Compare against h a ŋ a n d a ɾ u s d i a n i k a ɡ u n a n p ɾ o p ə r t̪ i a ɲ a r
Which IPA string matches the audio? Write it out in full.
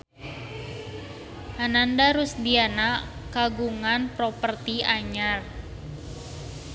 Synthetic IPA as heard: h a n a n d a ɾ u s d i a n a k a ɡ u ŋ a n p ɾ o p ə r t̪ i a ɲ a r